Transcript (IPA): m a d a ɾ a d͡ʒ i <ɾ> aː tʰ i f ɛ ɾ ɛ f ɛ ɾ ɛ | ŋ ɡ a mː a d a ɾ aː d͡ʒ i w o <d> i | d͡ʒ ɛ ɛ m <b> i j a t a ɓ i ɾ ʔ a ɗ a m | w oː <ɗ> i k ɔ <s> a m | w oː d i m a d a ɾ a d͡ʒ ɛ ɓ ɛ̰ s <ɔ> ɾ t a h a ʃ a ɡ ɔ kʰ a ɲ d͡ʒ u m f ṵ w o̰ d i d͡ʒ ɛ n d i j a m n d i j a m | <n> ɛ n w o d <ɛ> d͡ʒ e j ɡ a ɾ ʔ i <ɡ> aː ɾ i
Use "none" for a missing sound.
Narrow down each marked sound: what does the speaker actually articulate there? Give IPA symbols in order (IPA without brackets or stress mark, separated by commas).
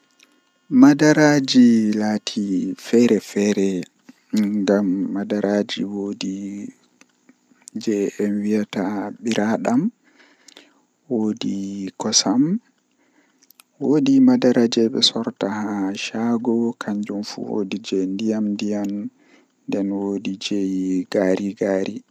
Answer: l, d, w, d, s, ɔ, d, i, ɡ